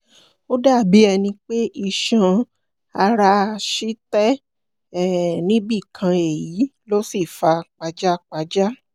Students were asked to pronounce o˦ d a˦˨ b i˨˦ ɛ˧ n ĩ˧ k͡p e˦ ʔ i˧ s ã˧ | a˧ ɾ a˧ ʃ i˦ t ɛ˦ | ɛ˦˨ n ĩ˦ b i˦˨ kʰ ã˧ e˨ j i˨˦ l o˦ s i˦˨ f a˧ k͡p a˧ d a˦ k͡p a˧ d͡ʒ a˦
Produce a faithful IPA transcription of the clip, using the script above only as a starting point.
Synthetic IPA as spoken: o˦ d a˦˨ b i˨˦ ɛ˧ n ĩ˧ k͡p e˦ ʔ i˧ ʃ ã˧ | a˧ ɾ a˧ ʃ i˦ t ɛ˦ | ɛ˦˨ n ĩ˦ b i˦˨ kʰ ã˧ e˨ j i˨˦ l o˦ s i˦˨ f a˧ k͡p a˧ d͡ʒ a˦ k͡p a˧ d͡ʒ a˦

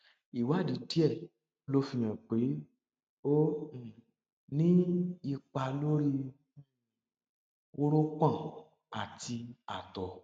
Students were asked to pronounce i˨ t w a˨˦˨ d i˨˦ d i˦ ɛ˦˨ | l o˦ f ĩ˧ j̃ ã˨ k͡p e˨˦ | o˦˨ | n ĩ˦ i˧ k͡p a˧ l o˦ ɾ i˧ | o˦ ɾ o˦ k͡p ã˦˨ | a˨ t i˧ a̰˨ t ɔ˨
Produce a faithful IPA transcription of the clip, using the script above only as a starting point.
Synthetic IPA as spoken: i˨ w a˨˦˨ d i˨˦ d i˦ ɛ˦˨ | l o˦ f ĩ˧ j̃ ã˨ k͡p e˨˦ | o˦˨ | n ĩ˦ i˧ k͡p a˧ l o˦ ɾ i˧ | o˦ ɾ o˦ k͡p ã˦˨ | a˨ t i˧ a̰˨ t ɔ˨

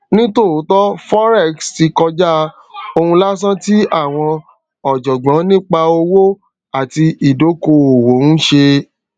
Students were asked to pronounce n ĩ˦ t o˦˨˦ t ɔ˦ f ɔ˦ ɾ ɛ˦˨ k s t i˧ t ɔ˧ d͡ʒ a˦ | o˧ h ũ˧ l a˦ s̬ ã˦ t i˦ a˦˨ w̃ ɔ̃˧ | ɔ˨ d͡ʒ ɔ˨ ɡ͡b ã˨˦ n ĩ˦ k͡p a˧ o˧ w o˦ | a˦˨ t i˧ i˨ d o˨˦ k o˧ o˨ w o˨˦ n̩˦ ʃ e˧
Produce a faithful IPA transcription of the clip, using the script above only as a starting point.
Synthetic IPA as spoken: n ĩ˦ t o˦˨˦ t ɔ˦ f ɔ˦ ɾ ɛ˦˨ k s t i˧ k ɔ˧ d͡ʒ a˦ | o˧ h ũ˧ l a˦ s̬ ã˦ t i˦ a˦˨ w̃ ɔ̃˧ | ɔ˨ d͡ʒ ɔ˨ ɡ͡b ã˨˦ n ĩ˦ k͡p a˧ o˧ w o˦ | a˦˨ t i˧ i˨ d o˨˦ k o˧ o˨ w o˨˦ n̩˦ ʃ e˧

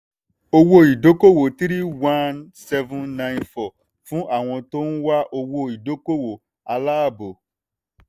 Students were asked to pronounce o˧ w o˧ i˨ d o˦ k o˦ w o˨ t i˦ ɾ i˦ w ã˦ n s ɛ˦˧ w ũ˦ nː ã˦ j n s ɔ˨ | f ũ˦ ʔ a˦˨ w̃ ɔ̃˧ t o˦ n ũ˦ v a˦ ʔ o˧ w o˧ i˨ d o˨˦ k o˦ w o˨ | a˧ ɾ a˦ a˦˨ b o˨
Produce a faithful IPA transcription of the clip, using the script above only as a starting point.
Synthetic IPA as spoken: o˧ w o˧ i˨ d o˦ k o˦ w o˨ t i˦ ɾ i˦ w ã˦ n s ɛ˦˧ v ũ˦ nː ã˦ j n f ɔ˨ | f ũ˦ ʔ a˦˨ w̃ ɔ̃˧ t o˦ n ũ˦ w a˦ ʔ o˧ w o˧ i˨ d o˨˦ k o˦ w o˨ | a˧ l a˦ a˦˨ b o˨

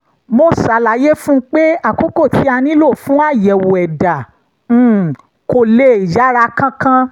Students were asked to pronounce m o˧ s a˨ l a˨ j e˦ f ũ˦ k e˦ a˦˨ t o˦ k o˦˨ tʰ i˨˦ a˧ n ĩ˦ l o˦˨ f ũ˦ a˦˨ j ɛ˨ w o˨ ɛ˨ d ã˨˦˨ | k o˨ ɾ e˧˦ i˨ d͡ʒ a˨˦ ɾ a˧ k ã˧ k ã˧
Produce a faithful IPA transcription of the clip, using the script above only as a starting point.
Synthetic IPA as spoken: m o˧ s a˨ l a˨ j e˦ f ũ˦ k͡p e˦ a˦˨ k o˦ k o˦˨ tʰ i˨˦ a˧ n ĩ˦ l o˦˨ f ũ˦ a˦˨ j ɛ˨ w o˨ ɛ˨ d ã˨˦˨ | k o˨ l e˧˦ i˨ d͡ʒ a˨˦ ɾ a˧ k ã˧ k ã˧

